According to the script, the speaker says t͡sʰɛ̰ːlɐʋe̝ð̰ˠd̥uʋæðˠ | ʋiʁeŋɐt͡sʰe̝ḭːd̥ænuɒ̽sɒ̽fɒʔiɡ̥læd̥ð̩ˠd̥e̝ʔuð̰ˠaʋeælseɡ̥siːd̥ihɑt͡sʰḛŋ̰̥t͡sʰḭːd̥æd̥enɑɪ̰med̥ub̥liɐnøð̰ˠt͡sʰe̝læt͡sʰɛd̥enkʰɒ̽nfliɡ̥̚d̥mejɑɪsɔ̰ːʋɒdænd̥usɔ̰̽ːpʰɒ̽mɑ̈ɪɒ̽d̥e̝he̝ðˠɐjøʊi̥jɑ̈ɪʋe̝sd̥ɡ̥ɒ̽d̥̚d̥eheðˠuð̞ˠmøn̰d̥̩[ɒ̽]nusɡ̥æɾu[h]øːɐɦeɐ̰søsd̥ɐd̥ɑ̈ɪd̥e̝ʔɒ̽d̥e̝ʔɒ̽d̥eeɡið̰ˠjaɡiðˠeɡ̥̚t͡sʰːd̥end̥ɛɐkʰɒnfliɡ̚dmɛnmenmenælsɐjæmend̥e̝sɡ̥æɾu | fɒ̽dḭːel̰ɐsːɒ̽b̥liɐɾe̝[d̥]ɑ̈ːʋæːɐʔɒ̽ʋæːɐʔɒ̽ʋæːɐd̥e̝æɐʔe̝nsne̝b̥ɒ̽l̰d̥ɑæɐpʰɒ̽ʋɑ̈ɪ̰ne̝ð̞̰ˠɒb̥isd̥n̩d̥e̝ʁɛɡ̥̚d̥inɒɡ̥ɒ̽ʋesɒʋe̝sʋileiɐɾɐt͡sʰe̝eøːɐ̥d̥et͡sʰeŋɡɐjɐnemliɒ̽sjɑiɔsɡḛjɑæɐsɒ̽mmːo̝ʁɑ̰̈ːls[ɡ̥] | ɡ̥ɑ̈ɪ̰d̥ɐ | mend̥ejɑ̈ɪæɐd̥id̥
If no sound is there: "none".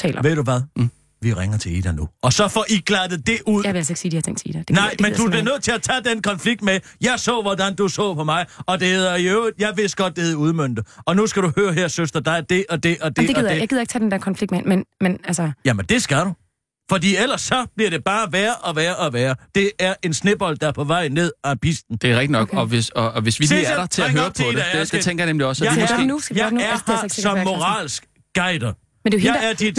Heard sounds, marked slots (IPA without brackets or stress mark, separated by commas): ɒ̽, h, b̥, ɡ̥